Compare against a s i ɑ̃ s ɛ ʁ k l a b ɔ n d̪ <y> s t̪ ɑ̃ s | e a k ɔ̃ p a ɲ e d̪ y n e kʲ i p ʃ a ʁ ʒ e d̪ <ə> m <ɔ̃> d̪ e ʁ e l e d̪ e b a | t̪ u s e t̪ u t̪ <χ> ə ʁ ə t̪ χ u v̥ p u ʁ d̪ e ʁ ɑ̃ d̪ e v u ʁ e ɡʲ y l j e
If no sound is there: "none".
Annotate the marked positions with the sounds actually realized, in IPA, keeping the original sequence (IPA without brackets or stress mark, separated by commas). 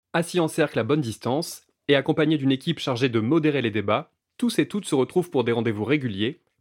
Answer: i, ə, ɔ, s